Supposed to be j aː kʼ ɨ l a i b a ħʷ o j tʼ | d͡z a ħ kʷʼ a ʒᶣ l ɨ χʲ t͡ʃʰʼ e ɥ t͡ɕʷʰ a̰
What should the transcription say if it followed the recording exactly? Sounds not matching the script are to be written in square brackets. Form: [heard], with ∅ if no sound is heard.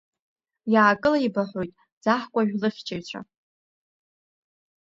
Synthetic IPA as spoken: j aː kʼ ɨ l a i b a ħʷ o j tʼ | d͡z a ħ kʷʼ a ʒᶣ l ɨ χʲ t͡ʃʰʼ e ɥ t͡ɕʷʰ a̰